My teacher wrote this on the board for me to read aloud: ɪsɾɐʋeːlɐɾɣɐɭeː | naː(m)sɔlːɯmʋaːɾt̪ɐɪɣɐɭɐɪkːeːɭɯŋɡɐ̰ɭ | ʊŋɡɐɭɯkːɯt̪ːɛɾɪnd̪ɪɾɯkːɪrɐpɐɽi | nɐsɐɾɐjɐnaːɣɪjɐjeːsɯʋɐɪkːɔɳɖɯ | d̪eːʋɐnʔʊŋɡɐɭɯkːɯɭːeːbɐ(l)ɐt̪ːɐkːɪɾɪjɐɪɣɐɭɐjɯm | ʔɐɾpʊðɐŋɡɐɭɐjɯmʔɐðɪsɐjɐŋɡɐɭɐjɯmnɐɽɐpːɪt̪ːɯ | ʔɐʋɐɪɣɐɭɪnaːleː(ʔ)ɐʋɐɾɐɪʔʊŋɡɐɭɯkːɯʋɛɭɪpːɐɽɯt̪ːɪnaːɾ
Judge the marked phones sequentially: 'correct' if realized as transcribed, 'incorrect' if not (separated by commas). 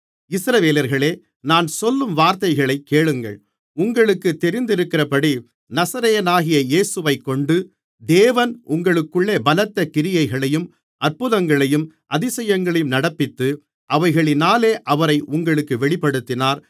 incorrect, correct, correct